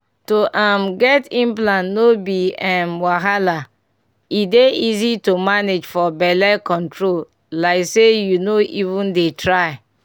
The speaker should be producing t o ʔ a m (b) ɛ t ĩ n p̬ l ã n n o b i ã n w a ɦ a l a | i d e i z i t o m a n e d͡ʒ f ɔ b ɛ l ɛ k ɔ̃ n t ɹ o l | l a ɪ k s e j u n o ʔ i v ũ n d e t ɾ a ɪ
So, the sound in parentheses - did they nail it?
no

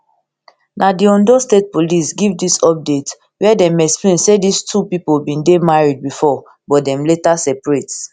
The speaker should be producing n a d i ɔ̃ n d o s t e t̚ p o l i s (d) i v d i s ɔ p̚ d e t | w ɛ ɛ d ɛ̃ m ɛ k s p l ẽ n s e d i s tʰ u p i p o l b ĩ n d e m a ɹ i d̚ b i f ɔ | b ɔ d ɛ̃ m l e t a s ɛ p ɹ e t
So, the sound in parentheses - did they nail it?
no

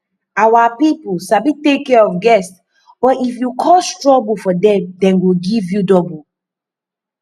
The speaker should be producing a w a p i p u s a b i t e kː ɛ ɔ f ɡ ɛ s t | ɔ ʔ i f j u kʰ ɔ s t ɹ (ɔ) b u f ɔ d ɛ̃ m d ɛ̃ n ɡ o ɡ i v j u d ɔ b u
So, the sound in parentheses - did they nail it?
yes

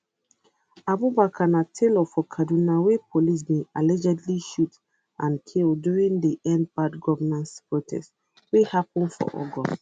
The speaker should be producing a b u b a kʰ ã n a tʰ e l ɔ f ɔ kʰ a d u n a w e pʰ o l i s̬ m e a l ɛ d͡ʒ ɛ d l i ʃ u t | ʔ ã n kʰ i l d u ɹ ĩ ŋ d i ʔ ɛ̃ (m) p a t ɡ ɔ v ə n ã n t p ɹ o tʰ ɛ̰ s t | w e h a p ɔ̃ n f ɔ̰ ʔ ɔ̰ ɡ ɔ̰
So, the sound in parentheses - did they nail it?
no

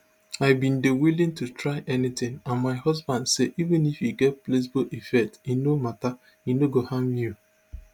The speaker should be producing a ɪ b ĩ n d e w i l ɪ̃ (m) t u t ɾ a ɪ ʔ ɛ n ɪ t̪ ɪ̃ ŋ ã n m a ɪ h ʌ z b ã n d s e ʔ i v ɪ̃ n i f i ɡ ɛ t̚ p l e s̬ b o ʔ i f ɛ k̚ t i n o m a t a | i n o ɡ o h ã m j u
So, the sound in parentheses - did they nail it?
no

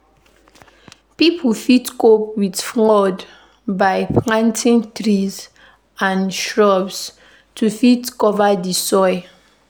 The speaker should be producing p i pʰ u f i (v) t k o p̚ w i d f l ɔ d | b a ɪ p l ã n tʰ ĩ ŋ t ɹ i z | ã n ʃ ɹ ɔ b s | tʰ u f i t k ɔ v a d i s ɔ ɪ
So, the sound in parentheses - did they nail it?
no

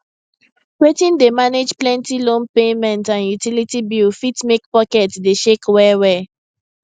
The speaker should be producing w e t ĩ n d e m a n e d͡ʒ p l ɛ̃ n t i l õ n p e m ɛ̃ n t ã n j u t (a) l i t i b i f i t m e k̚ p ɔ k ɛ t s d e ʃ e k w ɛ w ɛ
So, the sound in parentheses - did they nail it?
no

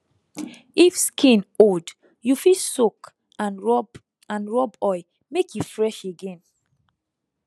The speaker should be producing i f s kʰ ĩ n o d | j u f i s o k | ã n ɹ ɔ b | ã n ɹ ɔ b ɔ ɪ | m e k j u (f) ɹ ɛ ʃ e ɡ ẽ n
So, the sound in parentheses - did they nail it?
yes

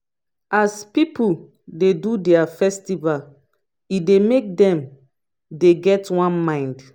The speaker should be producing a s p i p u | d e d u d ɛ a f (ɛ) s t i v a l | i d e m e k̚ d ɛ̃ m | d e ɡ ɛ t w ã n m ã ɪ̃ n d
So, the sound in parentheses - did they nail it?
yes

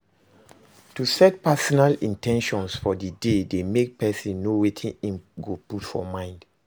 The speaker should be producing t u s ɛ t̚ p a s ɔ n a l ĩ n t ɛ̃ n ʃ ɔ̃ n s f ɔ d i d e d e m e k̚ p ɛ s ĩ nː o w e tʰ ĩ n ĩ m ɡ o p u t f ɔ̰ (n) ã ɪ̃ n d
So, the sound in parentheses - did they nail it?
no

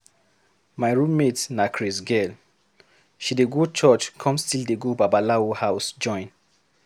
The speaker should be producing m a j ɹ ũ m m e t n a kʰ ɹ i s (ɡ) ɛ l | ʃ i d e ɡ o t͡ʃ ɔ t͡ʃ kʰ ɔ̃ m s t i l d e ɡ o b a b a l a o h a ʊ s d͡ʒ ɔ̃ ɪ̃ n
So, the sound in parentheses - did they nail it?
yes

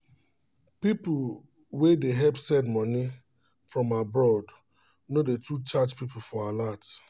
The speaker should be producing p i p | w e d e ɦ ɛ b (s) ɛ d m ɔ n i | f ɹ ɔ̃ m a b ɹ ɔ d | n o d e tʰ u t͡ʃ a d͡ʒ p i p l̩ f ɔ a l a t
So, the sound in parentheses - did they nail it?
yes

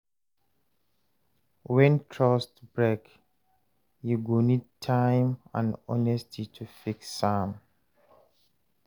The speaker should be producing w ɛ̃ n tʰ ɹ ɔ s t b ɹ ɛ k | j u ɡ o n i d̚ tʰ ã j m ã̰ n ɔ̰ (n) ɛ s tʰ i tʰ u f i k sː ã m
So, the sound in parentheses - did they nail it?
yes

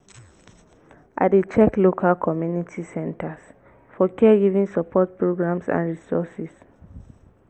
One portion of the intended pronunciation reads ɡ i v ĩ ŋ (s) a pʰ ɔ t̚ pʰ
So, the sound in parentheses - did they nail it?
yes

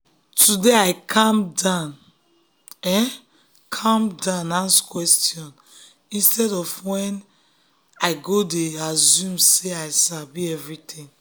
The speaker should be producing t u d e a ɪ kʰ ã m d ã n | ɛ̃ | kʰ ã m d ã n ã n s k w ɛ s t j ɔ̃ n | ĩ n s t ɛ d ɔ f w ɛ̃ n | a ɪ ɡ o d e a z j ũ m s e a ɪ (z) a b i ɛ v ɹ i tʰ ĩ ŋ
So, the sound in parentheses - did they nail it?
no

